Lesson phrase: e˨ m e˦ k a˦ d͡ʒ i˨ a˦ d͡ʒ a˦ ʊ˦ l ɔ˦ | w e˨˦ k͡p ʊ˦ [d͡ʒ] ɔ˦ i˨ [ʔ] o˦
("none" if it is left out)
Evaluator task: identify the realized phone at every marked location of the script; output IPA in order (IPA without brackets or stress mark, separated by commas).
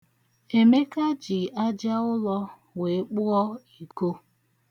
none, k